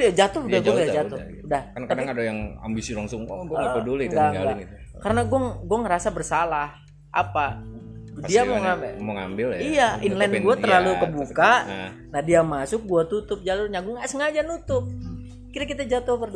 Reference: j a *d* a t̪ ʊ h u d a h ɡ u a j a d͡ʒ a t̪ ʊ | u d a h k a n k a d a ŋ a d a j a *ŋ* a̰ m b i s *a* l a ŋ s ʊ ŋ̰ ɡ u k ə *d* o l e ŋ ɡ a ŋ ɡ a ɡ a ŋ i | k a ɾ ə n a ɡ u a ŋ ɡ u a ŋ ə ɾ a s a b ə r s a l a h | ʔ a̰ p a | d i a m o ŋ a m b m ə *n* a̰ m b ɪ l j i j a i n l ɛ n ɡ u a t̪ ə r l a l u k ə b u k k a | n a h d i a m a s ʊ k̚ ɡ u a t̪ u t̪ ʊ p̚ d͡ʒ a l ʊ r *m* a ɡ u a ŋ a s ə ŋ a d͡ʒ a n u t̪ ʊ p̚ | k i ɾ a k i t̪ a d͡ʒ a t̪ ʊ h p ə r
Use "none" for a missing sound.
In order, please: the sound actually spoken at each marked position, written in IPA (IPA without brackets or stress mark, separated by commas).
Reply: d͡ʒ, ŋ, i, d, ŋ, ɲ